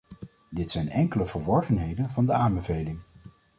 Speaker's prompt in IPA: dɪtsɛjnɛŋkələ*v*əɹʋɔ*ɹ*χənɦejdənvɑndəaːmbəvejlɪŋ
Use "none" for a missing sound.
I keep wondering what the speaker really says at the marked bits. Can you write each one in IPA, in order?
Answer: v, ɹ

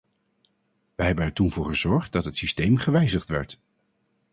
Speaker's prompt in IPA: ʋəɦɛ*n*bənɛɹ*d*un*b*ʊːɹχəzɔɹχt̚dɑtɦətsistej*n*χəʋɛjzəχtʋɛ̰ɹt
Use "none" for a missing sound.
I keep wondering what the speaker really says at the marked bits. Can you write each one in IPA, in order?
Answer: none, t, v, m

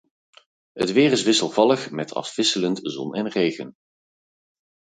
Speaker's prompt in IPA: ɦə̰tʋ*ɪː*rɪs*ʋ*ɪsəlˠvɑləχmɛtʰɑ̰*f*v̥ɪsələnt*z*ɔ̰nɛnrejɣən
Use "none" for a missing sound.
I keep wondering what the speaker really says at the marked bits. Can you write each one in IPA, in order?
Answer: ɪː, ʋ, f, z

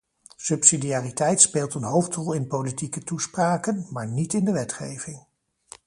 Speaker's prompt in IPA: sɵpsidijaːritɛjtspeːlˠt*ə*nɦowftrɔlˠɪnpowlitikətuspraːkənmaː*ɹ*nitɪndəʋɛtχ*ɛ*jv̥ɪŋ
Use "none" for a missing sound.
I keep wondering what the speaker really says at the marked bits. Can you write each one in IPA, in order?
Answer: ə, ɹ, e

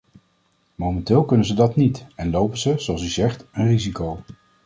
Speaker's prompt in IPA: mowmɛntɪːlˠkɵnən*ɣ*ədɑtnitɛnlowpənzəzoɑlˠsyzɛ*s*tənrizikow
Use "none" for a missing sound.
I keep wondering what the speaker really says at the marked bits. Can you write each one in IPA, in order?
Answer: z, χ

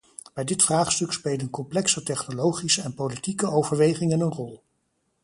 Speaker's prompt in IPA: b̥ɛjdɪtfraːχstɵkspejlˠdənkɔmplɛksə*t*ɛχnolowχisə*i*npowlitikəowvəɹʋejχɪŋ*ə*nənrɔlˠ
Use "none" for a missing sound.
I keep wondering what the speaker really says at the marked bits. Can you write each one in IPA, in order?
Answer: t, ɛ, ə

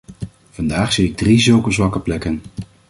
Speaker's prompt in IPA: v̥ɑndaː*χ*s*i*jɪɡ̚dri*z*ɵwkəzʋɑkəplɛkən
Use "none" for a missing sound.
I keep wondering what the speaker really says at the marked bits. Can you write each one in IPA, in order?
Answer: χ, i, z

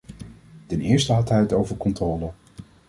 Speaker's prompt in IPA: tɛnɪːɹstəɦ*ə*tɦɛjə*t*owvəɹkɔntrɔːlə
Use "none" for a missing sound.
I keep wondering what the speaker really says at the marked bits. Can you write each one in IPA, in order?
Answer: ɑ, t

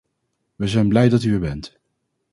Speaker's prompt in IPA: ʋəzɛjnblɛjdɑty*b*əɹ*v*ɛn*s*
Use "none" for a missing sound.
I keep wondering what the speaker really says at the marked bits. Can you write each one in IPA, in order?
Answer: none, b, t

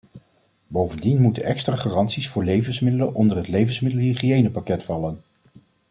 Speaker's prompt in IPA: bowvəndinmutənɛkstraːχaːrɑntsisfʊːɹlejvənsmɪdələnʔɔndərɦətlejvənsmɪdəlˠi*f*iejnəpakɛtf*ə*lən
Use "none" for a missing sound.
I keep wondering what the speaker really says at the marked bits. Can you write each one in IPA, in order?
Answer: χ, ɑ

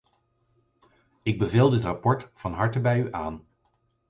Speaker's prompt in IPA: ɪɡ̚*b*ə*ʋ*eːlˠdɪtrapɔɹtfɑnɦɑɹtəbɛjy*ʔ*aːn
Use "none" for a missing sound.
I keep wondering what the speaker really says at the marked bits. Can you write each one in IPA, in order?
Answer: b, v, ʔ

